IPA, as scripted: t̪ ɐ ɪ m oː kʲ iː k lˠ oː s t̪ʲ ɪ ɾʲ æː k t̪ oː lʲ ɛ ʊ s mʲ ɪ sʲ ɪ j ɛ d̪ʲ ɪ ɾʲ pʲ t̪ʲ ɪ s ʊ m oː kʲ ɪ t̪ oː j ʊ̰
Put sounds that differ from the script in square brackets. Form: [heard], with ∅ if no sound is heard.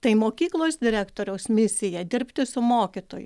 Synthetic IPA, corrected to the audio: t̪ ɐ ɪ m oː kʲ iː k lˠ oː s [d̪ʲ] ɪ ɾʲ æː k t̪ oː [ɾʲ] ɛ ʊ s mʲ ɪ sʲ ɪ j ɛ d̪ʲ ɪ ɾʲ pʲ t̪ʲ ɪ s ʊ m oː kʲ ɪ t̪ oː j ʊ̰